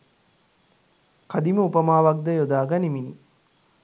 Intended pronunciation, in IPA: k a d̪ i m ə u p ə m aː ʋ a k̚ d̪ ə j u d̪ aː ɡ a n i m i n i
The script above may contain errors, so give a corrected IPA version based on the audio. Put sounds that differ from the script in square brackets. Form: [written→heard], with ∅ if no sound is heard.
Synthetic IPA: k a d̪ i m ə u p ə m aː ʋ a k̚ d̪ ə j [u→o] d̪ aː ɡ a n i m i n i